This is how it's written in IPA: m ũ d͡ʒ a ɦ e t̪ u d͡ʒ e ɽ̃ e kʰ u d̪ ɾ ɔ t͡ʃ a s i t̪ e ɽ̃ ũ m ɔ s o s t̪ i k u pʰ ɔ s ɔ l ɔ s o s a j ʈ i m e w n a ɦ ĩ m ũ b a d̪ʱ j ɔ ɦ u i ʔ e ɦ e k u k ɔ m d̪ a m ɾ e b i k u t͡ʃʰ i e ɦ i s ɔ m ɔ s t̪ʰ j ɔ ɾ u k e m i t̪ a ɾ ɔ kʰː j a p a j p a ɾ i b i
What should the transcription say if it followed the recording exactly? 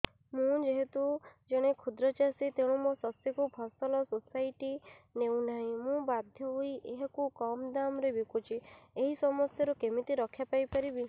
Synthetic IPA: m ũ d͡ʒ e ɦ e t̪ u d͡ʒ e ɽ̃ e kʰ u d̪ ɾ ɔ t͡ʃ a s i t̪ e ɽ̃ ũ m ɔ s ɔ s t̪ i k u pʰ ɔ s ɔ l ɔ s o s a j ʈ i n e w n a ɦ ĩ m ũ b a d̪ʱ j ɔ ɦ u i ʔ e ɦ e k u k ɔ m d̪ a m ɾ e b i k u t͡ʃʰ i e ɦ i s ɔ m ɔ s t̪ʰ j ɔ ɾ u k e m i t̪ i ɾ ɔ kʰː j a p a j p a ɾ i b i